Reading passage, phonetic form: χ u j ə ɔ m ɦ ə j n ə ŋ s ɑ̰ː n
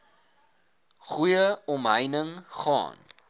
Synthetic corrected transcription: χ u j ə ɔ m ɦ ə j n ə ŋ χ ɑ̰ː n